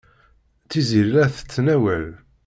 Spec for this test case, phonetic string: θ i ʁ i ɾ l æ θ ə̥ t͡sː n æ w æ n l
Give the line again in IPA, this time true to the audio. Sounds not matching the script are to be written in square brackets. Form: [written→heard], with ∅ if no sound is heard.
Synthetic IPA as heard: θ i [ʁ→z] i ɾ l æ θ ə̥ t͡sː n æ w æ [n→∅] l

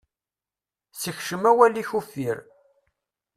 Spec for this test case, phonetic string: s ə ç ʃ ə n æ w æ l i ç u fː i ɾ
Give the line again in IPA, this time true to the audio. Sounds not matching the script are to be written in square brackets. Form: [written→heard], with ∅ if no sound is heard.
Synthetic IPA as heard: s ə ç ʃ ə [n→m] æ w æ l i ç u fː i ɾ

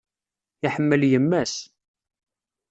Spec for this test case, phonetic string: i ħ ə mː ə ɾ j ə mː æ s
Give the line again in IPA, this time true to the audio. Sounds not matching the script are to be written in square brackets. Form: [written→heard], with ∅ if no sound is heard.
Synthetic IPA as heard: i ħ ə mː ə [ɾ→l] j ə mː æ s

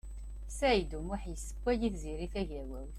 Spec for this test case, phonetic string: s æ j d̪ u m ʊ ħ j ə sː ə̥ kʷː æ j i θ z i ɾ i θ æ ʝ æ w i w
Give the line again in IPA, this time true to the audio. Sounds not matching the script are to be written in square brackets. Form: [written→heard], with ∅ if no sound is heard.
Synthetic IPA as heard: s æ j d̪ u m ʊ ħ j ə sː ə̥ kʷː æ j i θ z i ɾ i θ æ ʝ æ w [i→æ] w

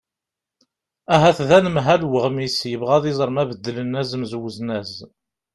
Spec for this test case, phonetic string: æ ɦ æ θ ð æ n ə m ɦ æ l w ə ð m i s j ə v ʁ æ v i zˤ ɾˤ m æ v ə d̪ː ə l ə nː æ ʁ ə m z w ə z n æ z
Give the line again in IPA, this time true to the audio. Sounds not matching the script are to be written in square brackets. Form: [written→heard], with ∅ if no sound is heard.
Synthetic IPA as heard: æ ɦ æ θ ð æ n ə m ɦ æ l w ə [ð→ʁ] m i s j ə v ʁ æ [v→ð] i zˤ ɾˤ m æ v ə d̪ː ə l ə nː æ [ʁ→z] ə m z w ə z n æ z

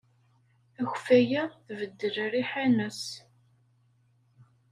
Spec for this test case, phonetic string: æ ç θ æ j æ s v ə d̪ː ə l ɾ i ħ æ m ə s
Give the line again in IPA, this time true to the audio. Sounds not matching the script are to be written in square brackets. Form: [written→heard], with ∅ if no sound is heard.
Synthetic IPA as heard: æ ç [θ→f] æ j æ [s→θ] v ə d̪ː ə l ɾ i ħ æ [m→n] ə s

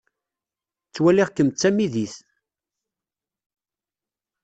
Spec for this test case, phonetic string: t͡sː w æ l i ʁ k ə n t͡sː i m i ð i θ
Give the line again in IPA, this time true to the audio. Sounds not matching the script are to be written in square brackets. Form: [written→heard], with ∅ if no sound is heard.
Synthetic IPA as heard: t͡sː w æ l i ʁ k ə [n→m] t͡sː [i→æ] m i ð i θ

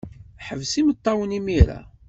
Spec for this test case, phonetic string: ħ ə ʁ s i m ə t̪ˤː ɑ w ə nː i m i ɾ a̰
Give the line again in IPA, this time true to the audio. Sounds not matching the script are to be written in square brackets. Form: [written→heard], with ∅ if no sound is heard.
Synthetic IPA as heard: ħ ə [ʁ→v] s i m ə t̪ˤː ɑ w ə [nː→n] i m i ɾ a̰

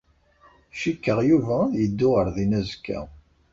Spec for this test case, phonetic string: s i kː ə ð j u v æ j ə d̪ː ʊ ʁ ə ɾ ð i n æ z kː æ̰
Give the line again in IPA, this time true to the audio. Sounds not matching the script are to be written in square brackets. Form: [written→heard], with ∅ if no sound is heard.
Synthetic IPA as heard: [s→ʃ] i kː ə [ð→ʁ] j u v æ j ə d̪ː ʊ ʁ ə ɾ ð i n æ z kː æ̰

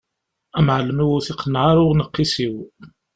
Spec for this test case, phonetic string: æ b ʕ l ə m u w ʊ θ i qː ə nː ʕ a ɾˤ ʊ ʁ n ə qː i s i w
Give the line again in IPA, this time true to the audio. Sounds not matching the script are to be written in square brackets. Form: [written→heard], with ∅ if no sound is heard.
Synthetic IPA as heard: æ [b→m] ʕ l ə m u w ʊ θ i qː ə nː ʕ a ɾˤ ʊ ʁ n ə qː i s i w

